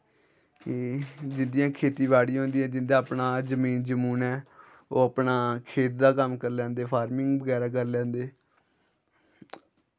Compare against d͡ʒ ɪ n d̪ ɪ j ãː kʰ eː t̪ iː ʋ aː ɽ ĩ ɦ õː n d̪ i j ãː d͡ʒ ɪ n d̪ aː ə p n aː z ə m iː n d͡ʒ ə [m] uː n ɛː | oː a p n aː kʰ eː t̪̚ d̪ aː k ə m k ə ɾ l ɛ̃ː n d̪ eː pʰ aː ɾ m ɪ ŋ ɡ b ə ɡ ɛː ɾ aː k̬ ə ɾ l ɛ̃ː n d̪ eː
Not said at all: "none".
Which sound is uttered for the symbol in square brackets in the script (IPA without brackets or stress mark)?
m